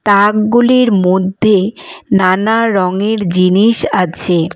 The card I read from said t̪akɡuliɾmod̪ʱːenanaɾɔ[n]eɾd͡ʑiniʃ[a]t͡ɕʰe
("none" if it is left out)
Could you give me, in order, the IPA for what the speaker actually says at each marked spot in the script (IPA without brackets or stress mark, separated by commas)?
ŋ, a